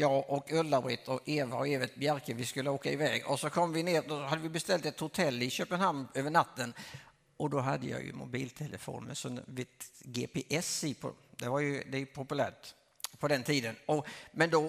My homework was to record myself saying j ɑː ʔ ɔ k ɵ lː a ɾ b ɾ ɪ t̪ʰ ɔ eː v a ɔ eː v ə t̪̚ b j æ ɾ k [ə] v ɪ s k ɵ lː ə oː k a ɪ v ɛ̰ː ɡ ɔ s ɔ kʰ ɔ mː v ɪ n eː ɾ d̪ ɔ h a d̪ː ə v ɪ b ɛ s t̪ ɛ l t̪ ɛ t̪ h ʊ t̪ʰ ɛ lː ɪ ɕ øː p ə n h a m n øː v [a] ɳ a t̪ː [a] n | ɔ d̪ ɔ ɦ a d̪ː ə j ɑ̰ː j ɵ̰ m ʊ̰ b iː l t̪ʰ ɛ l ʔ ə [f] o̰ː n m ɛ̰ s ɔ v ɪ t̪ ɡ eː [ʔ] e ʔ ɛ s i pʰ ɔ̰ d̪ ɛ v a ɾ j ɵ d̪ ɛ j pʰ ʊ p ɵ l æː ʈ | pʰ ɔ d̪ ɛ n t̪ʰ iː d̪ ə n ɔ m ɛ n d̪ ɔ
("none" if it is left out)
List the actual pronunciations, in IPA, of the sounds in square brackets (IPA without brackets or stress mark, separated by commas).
ə, ə, ə, f, p